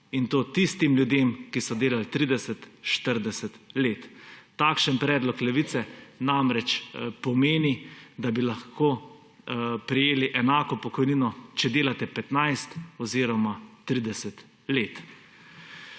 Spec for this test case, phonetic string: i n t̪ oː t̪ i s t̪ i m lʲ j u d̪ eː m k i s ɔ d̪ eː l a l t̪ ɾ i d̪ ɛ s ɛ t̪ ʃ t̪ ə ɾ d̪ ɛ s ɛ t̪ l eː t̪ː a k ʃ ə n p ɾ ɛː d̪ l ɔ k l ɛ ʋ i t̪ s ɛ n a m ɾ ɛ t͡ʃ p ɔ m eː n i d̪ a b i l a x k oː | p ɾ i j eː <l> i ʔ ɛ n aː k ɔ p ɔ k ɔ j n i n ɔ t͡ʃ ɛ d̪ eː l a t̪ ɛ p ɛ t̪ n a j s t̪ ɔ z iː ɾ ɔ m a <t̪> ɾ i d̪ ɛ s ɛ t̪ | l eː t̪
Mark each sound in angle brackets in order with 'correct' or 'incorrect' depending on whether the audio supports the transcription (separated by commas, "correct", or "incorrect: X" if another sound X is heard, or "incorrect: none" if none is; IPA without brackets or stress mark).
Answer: correct, correct